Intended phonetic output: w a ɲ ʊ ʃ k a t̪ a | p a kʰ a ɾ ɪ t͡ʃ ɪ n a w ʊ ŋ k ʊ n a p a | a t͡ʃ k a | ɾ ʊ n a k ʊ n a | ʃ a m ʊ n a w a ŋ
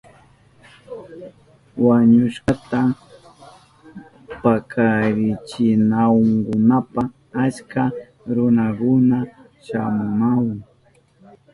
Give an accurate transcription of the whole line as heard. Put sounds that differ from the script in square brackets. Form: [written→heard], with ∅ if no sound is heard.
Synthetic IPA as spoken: w a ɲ ʊ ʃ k a t̪ a | p a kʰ a ɾ ɪ t͡ʃ ɪ n a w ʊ ŋ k ʊ n a p a | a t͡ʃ k a | ɾ ʊ n a k ʊ n a | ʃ a m ʊ n a w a ŋ

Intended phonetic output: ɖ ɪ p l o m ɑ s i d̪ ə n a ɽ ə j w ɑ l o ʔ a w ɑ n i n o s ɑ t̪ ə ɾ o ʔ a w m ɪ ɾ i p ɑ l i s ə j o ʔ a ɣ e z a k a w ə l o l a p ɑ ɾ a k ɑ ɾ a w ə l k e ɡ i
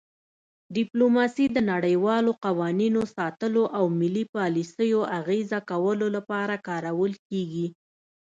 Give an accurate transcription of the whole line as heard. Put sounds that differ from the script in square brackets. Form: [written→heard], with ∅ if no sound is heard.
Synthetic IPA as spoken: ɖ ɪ p l o m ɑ s i d̪ ə n a ɽ ə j w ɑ l o [ʔ→q] a w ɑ n i n o s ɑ t̪ ə [ɾ→l] o ʔ a w m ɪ [ɾ→l] i p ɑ l i s ə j o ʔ a ɣ e z a k a w ə l o l a p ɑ ɾ a k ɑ ɾ a w ə l k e ɡ i

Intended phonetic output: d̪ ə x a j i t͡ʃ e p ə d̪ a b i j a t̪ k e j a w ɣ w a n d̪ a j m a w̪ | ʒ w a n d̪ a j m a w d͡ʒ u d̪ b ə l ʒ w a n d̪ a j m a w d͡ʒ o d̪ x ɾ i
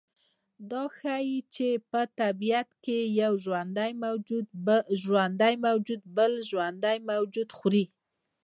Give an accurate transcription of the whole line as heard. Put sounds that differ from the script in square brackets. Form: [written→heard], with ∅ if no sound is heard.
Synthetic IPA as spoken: d̪ [ə→ɑ] x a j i t͡ʃ e p ə [d̪→t̪] a b i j a t̪ k e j a w [ɣ→ʒ] w a n d̪ a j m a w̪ | ʒ w a n d̪ a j m a w d͡ʒ u d̪ b ə l ʒ w a n d̪ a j m a w d͡ʒ [o→u] d̪ x ɾ i

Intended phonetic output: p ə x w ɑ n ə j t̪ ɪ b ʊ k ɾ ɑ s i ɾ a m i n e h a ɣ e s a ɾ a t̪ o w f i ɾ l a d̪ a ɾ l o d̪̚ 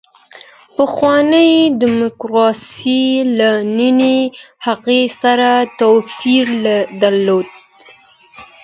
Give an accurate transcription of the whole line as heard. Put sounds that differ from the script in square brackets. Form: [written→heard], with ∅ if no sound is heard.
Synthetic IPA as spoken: p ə x w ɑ n ə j [t̪→d̪] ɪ [b→m] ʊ k ɾ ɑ s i [ɾ→l] a [m→n] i n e h a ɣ e s a ɾ a t̪ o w f i ɾ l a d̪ a ɾ l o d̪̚

